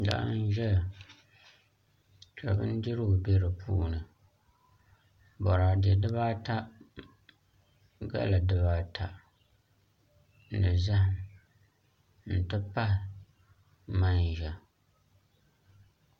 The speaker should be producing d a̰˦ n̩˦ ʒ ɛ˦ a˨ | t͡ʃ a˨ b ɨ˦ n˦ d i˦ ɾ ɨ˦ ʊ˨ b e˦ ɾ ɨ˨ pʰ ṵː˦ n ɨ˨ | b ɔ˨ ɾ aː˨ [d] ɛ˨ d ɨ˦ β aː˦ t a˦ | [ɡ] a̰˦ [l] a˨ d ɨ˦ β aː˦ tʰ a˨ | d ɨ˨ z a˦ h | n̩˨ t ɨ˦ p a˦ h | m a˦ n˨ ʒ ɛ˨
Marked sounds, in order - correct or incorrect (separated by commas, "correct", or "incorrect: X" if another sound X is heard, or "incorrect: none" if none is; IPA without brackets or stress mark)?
correct, correct, correct